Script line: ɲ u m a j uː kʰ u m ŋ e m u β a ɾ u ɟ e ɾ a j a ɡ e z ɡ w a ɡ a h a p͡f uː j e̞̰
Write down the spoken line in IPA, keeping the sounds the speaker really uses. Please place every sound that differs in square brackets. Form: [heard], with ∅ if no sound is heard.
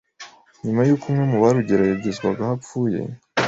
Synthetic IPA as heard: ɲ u m a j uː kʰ u m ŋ e m u β a ɾ u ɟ e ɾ a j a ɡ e z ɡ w a ɡ a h a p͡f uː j e̞̰

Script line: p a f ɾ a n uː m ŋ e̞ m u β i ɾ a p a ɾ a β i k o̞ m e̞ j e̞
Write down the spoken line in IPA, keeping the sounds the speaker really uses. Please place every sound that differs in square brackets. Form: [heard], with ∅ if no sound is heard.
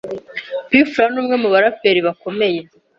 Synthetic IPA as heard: p [i] f ɾ a n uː m ŋ e̞ m u β [a] ɾ a p [e] ɾ [i] β [a] k o̞ m e̞ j e̞

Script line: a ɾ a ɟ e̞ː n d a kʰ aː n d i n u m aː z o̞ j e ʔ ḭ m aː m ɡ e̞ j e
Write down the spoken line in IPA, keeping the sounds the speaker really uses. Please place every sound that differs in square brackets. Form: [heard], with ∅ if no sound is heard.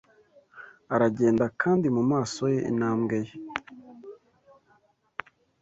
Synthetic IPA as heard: a ɾ a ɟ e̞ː n d a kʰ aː n d i [m] u m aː [s] o̞ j e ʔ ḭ [n] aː m ɡ e̞ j e

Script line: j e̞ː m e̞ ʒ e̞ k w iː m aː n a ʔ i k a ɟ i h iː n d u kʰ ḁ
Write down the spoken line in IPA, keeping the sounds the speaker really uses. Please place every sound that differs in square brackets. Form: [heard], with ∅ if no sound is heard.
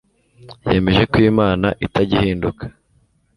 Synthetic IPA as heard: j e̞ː m e̞ ʒ e̞ k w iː m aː n a ʔ i [t] a ɟ i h iː n d u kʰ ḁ

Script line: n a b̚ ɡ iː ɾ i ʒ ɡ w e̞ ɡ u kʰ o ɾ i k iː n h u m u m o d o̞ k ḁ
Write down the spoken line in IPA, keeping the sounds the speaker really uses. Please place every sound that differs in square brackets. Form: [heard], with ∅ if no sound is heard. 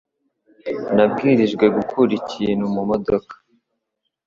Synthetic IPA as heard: n a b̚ ɡ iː ɾ i ʒ ɡ w e̞ ɡ u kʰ [u] ɾ i [c] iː n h u m u m o d o̞ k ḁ

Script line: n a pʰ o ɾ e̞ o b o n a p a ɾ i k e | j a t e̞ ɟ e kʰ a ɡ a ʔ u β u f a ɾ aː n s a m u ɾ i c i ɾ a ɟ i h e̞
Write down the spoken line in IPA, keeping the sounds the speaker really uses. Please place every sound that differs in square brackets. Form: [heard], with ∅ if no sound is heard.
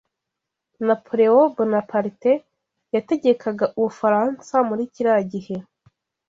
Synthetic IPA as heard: n a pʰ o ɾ e̞ o b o n a p a ɾ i [t] e | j a t e̞ ɟ e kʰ a ɡ a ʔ u β u f a ɾ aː n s a m u ɾ i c i ɾ a ɟ i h e̞

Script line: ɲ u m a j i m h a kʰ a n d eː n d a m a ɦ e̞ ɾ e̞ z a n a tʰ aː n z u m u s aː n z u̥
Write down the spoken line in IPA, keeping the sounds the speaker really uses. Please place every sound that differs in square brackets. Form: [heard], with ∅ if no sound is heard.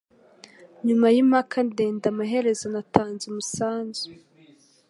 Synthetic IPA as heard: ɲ u m a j i m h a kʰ a n d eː n d a m a ɦ e̞ ɾ e̞ z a n a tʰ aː n z u m u s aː n z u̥

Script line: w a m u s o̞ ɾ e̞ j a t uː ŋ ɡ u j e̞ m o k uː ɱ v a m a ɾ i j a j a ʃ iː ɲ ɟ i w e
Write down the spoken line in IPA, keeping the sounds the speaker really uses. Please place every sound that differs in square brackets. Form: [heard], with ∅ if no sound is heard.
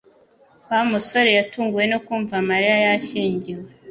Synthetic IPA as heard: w a m u s o̞ ɾ e̞ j a t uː ŋ ɡ u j e̞ [n] o k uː ɱ v a m a ɾ i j a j a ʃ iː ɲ ɟ i w e

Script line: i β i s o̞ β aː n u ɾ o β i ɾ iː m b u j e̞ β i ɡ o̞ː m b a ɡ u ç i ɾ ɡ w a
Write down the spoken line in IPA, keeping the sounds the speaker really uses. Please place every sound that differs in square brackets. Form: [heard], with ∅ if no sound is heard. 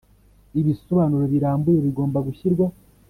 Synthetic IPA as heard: i β i s o̞ β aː n u ɾ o β i ɾ [aː] m b u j e̞ β i ɡ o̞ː m b a ɡ u ç i ɾ ɡ w a

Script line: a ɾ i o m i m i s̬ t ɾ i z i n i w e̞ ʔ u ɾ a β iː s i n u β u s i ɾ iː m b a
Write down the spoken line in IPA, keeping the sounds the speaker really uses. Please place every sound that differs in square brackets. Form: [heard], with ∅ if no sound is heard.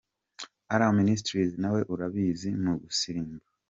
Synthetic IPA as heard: a ɾ [a] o m i [n] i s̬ t ɾ i z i n [a] w e̞ ʔ u ɾ a β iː [z] i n u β u s i ɾ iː m b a

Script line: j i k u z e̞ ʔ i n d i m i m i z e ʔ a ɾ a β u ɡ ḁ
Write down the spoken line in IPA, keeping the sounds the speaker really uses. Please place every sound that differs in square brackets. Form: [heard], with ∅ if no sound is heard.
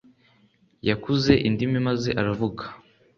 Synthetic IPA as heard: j [a] k u z e̞ ʔ i n d i m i m [a] z e ʔ a ɾ a [v] u ɡ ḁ

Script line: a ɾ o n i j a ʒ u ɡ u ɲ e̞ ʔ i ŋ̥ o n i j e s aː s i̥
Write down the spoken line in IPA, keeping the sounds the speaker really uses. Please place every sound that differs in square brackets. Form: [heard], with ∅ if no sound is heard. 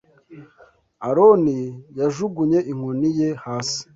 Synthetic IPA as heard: a ɾ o n i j a ʒ u ɡ u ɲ e̞ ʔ i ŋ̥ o n i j e [h] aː s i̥

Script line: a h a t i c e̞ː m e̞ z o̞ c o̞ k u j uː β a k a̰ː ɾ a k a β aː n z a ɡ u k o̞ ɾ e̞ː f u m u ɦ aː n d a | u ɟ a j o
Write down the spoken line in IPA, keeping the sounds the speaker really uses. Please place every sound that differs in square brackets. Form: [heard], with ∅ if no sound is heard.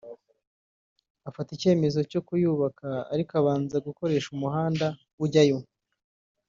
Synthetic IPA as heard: a [f] a t i c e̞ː m e̞ z o̞ c o̞ k u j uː β a k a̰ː ɾ [i] k a β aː n z a ɡ u k o̞ ɾ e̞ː [ʃ] u m u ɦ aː n d a | u ɟ a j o

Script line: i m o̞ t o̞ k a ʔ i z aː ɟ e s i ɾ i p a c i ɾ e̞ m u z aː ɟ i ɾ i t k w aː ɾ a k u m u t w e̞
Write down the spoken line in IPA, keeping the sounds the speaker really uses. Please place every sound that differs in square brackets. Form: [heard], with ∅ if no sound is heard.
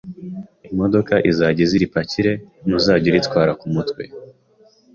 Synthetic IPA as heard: i m o̞ [d] o̞ k a ʔ i z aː ɟ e [z] i ɾ i p a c i ɾ e̞ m u z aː ɟ i ɾ i t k w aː ɾ a k u m u t w e̞

